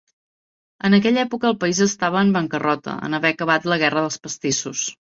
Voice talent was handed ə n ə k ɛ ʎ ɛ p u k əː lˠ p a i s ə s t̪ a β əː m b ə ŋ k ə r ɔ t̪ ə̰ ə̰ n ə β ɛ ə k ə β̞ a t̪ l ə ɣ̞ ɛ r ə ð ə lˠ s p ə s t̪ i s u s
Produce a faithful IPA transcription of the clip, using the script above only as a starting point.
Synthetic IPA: ə n ə k ɛ ʎ ɛ p u k əː lˠ p ə i z ə s t̪ a β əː m b ə ŋ k ə r ɔ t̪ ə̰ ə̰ n ə β ɛ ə k ə β̞ a t̪ l ə ɣ̞ ɛ r ə ð ə lˠ s p ə s t̪ i s u s